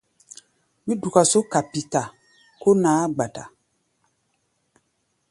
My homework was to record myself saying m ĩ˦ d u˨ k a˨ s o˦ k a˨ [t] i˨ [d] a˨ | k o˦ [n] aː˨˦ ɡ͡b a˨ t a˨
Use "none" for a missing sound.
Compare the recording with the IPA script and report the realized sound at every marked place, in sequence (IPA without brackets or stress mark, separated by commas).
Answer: p, t, n